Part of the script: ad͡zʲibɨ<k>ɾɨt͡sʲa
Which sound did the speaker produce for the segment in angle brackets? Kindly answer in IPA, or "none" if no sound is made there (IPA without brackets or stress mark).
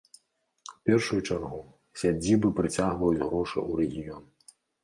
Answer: p